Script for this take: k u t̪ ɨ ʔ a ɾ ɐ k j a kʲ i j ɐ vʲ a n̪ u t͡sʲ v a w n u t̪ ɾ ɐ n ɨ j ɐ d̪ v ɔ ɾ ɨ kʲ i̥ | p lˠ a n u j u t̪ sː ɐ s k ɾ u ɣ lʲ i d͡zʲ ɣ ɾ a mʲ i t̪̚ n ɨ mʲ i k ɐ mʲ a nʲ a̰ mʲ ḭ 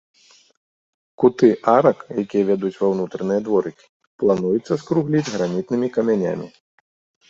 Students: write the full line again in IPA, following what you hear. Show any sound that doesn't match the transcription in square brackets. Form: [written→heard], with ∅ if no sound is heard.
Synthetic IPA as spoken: k u t̪ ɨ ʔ a ɾ ɐ k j a kʲ i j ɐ vʲ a [n̪→d̪] u t͡sʲ v a w n u t̪ ɾ ɐ n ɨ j ɐ d̪ v ɔ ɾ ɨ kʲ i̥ | p lˠ a n u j u t̪ sː ɐ s k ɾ u ɣ lʲ i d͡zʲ ɣ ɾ a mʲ i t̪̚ n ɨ mʲ i k ɐ mʲ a nʲ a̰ mʲ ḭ